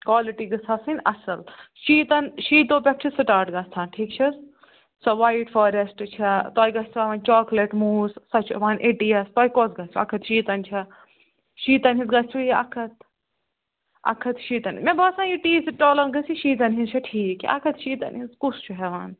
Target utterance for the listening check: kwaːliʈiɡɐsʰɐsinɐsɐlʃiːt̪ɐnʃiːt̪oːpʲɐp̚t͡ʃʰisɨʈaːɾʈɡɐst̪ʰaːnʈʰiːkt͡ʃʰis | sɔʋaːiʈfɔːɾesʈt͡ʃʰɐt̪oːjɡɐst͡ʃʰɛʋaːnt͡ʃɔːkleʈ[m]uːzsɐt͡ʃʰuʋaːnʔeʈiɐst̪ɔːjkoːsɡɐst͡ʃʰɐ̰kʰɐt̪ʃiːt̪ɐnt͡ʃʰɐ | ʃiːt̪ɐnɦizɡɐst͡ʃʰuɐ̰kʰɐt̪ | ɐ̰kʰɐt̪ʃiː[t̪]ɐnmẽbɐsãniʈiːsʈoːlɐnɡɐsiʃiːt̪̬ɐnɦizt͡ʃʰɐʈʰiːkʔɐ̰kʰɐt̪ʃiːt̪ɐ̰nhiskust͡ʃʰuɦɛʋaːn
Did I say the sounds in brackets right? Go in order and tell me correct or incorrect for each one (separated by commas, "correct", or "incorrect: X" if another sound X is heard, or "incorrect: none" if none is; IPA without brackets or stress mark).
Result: correct, correct